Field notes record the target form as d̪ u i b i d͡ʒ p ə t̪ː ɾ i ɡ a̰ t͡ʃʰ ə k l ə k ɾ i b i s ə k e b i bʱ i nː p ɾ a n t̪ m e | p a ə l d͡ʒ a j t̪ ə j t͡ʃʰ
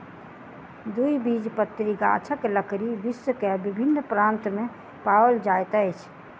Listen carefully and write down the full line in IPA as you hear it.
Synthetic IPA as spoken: d̪ u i b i d͡ʒ p ə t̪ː ɾ i ɡ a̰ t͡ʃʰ ə k l ə k ɾ i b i s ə k e b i bʱ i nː p ɾ a n t̪ m e | p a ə l d͡ʒ a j t̪ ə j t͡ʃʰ